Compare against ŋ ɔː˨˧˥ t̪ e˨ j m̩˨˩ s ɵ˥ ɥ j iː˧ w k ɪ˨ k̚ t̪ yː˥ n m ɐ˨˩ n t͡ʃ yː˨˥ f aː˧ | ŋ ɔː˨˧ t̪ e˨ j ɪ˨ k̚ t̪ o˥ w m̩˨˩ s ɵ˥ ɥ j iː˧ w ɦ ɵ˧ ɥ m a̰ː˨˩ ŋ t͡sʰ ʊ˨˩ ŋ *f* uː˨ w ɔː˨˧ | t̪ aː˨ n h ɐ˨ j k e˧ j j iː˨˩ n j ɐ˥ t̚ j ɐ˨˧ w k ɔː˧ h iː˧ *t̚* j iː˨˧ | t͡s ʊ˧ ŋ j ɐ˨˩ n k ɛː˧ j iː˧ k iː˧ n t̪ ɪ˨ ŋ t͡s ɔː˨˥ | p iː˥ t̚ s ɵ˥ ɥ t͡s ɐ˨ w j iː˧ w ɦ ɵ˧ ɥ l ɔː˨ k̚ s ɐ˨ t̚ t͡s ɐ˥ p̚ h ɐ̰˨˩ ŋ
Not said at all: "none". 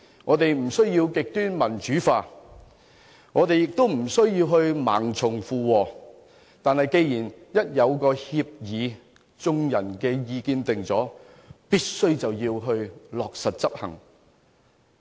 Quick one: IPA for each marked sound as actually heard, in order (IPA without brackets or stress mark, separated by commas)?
f, p̚